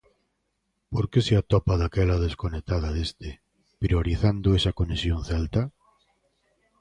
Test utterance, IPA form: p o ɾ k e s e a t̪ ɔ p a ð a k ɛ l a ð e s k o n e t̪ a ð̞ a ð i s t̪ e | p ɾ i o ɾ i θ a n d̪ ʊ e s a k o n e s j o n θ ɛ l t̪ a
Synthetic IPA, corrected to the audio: p o ɾ k e s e a t̪ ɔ p a ð a k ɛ l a ð e s k o n e t̪ a ð̞ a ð e s t̪ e | p ɾ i o ɾ i θ a n d̪ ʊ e s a k o n e s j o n θ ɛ l t̪ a